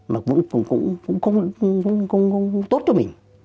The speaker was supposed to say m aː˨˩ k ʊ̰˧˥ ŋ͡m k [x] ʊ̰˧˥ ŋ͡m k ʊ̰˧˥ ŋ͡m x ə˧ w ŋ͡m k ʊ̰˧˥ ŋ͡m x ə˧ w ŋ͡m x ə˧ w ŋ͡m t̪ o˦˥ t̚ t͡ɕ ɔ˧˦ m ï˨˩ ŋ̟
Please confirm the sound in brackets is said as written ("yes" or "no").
no